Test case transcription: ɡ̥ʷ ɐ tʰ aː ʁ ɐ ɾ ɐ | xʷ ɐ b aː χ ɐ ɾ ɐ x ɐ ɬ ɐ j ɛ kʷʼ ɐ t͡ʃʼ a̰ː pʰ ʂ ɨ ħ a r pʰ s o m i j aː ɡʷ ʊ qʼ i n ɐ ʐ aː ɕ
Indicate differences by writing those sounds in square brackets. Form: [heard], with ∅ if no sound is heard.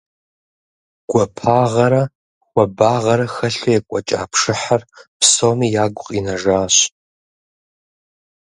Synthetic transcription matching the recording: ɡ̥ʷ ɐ [pʰ] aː ʁ ɐ ɾ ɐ | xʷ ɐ b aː [ʁ] ɐ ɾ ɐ x ɐ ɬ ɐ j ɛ kʷʼ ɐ t͡ʃʼ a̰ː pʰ ʂ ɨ ħ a r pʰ s o m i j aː ɡʷ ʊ qʼ i n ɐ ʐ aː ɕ